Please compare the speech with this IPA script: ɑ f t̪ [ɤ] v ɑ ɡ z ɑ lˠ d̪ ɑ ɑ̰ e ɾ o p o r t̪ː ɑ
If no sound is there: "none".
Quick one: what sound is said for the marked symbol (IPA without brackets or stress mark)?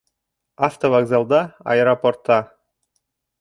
o